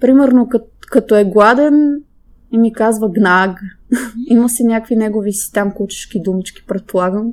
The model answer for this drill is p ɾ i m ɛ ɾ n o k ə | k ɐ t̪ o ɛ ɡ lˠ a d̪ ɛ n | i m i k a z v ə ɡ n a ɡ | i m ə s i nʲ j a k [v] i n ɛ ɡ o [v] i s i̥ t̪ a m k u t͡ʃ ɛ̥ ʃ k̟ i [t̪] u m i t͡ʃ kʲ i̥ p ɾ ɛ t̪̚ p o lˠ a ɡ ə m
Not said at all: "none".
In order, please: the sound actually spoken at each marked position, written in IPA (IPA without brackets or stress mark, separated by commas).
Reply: v, v, d̪